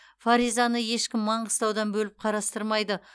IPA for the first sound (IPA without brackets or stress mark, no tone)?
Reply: f